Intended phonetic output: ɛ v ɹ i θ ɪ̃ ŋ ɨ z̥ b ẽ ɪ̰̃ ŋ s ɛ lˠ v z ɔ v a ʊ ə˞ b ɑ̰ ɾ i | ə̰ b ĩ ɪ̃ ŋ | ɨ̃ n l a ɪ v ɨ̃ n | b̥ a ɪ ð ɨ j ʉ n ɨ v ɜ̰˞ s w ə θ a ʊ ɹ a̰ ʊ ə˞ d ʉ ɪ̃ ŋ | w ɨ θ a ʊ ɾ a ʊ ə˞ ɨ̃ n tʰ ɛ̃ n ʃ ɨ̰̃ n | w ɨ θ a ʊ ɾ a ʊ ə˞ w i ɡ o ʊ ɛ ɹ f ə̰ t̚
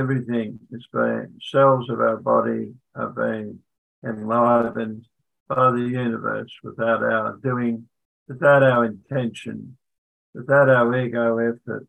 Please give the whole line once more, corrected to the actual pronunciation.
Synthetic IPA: ɛ v ɹ i θ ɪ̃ ŋ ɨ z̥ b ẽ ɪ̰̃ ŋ s ɛ lˠ v z ʌ v a ʊ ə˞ b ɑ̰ ɾ i | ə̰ b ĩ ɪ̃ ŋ | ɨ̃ n l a ɪ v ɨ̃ n | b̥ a ɪ ð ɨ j ʉ n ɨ v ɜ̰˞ s w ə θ a ʊ ɾ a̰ ʊ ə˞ d ʉ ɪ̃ ŋ | w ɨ θ a ʊ ɾ a ʊ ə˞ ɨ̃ n tʰ ɛ̃ n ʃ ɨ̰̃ n | w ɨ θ a ʊ ɾ a ʊ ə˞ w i ɡ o ʊ ɛ f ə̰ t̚